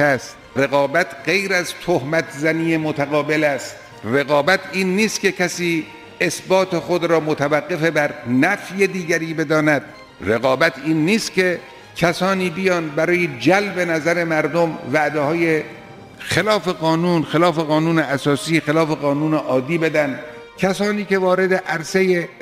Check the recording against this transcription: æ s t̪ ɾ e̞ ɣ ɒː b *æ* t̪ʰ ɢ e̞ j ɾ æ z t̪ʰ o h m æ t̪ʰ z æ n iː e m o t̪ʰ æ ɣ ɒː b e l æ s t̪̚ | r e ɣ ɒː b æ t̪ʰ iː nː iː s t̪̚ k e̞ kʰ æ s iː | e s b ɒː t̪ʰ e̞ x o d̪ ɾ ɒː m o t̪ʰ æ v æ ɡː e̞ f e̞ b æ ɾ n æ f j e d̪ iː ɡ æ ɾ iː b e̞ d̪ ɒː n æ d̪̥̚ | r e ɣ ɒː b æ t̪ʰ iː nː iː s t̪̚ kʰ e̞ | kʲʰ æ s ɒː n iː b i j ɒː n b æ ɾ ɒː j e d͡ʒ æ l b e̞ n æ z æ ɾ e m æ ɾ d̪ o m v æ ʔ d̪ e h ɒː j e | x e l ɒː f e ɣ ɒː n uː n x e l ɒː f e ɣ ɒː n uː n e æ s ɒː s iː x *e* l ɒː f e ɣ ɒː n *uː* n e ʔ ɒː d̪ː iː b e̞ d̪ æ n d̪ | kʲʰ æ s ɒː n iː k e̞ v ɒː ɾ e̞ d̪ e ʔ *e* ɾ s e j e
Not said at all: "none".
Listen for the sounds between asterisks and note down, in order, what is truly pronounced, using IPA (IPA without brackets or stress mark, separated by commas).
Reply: æ, e, uː, æ